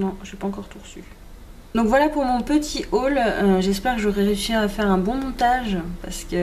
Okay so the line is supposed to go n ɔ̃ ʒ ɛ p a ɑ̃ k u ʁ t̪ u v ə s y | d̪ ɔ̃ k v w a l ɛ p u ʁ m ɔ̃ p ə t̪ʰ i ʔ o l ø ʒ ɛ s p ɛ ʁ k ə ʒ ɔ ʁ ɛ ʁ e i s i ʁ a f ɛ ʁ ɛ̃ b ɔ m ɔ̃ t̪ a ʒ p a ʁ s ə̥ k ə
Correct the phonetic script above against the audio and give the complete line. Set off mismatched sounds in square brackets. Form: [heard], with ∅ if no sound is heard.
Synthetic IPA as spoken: n ɔ̃ ʒ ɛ p a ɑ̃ k [ɔ] ʁ t̪ u [ʁ] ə s y | d̪ ɔ̃ k v w a l [a] p u ʁ m ɔ̃ p ə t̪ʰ i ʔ o l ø ʒ ɛ s p ɛ ʁ k ə ʒ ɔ ʁ ɛ ʁ e [y] s i ʁ a f ɛ ʁ ɛ̃ b [ɔ̃] m ɔ̃ t̪ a ʒ p a ʁ s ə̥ k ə